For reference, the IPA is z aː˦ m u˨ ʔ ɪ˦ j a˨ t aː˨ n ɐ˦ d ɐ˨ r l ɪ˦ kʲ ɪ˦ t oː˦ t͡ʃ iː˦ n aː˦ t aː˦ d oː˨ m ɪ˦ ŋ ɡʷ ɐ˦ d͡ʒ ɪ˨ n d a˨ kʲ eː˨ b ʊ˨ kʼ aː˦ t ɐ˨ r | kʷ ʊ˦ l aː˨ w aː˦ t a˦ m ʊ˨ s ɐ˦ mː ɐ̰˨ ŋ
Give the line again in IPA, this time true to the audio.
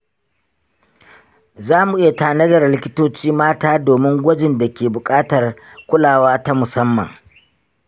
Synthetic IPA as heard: z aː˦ m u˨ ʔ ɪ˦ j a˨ t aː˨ n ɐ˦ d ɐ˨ r l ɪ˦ kʲ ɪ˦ t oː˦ t͡ʃ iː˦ m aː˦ t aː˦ d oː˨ m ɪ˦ ŋ ɡʷ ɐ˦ d͡ʒ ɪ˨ n d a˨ kʲ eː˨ b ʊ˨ kʼ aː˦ t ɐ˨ r | kʷ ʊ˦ l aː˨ w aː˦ t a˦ m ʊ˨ s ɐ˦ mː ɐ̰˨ ŋ